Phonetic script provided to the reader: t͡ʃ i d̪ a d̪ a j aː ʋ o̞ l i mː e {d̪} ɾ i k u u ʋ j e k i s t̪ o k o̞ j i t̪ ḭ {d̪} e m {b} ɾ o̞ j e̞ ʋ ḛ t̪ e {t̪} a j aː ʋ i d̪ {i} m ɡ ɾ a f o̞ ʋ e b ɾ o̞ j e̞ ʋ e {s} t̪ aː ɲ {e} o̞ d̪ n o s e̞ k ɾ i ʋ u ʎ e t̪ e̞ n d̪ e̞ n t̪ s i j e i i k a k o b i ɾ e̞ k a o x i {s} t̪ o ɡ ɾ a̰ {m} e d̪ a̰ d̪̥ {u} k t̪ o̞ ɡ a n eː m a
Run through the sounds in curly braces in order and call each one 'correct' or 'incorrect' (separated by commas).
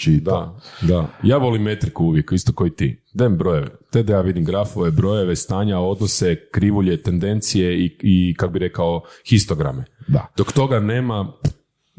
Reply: incorrect, correct, correct, incorrect, correct, correct, incorrect, correct, correct, incorrect